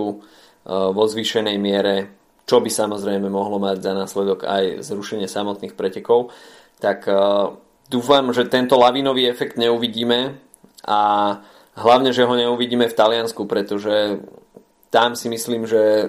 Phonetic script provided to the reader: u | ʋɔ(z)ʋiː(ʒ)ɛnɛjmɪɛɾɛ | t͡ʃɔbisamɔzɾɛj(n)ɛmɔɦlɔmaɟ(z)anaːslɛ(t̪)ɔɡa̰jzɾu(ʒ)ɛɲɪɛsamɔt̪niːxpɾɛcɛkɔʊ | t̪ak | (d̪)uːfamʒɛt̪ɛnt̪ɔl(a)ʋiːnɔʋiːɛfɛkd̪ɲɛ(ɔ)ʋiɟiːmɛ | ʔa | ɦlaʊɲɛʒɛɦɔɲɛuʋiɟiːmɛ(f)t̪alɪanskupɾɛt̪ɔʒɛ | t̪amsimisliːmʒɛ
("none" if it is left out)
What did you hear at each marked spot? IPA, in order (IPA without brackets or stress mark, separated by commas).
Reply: z, ʃ, m, z, d̪, ʃ, d̪, a, u, f